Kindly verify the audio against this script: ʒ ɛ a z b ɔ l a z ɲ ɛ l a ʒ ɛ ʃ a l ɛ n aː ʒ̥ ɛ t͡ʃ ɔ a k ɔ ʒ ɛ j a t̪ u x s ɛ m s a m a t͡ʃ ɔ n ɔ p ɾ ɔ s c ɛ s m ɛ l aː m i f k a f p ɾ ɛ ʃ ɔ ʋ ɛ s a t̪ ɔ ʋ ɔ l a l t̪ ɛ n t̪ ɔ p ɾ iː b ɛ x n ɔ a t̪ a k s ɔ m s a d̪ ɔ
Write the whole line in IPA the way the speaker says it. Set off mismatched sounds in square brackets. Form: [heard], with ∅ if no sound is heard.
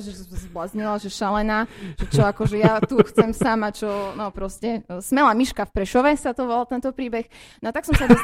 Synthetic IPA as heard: ʒ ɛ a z b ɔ l a z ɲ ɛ l a ʒ ɛ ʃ a l ɛ n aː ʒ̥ ɛ t͡ʃ ɔ a k ɔ ʒ ɛ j a t̪ u x [t͡s] ɛ m s a m a t͡ʃ ɔ n ɔ p ɾ ɔ s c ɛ s m ɛ l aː m i [ʃ] k a f p ɾ ɛ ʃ ɔ ʋ ɛ s a t̪ ɔ ʋ ɔ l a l t̪ ɛ n t̪ ɔ p ɾ iː b ɛ x n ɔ a t̪ a k s ɔ m s a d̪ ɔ